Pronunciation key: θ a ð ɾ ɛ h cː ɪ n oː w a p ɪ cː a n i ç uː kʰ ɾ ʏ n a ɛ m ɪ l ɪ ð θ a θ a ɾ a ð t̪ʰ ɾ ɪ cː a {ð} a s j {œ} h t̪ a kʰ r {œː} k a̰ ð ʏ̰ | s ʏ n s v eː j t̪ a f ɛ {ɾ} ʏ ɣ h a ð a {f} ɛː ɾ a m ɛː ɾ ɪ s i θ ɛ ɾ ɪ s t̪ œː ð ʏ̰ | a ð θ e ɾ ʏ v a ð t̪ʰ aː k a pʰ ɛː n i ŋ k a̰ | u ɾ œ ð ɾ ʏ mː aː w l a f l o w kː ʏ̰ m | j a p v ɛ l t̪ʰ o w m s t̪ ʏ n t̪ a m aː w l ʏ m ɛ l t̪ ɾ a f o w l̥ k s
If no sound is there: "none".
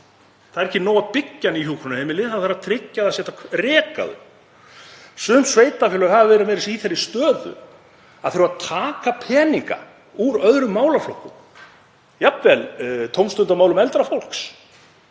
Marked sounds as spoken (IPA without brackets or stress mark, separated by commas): ð, ɛ, ɛː, l, v